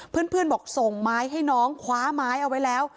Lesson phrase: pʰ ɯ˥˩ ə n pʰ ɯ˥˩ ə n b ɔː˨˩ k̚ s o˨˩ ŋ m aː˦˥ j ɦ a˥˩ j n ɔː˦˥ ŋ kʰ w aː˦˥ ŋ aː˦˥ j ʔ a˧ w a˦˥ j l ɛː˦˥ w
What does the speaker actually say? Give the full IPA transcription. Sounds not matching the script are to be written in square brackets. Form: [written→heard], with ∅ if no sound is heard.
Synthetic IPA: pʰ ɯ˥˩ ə n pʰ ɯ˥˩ ə n b ɔː˨˩ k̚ s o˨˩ ŋ m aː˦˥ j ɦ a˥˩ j n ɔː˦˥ ŋ kʰ w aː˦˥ [ŋ→m] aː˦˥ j ʔ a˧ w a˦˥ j l ɛː˦˥ w